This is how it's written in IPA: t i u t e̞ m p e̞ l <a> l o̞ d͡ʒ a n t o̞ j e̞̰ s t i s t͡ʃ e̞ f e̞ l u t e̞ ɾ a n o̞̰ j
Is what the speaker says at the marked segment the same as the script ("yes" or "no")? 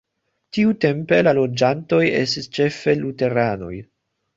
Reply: yes